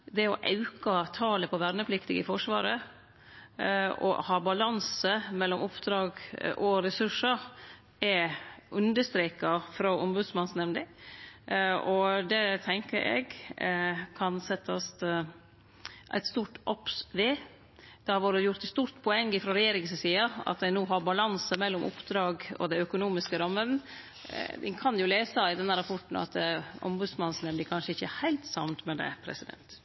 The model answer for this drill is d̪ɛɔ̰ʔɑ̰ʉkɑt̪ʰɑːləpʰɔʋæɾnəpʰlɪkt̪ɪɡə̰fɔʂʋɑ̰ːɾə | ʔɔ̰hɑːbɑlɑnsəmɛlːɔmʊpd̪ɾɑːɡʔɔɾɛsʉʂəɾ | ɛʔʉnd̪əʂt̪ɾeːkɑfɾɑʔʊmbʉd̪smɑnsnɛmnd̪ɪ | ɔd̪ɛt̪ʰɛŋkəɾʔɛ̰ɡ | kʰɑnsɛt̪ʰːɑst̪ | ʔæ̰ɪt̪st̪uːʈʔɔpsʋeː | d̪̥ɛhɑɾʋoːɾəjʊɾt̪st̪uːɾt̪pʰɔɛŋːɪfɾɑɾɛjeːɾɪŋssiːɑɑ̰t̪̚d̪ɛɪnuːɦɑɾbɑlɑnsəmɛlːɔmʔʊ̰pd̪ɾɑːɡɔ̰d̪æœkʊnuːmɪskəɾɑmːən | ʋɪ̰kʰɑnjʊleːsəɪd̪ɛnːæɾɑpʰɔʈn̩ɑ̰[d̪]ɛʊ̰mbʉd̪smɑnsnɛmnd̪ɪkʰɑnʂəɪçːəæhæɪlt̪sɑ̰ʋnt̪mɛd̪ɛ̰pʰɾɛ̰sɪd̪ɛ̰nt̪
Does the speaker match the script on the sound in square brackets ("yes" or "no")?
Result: no